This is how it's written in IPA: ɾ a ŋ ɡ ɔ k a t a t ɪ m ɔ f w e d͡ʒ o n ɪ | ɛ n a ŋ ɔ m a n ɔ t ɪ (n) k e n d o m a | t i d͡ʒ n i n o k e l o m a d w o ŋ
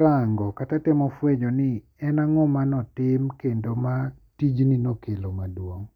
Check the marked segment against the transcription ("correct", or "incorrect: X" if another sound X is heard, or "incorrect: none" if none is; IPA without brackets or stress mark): incorrect: m